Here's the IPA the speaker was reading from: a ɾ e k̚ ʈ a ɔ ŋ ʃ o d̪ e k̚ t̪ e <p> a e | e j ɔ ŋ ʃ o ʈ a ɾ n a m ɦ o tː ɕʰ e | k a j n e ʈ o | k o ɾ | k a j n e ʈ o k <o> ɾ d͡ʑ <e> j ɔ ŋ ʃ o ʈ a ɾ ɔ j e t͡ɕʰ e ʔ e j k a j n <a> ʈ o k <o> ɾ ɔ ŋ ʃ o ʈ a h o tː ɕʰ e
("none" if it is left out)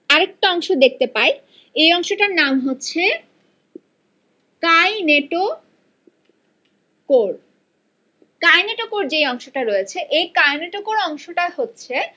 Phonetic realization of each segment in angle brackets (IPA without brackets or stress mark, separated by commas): p, o, e, e, o